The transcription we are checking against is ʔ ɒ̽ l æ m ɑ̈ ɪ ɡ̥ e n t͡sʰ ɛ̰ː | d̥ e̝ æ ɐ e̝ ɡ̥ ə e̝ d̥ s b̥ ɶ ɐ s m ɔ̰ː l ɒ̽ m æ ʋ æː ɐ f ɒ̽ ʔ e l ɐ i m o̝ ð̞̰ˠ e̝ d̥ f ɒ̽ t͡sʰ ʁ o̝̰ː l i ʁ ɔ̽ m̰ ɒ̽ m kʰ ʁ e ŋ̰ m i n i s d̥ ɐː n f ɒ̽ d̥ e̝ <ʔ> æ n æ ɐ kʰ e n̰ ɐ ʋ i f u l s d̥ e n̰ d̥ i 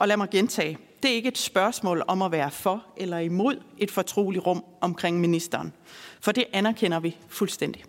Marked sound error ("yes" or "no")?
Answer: no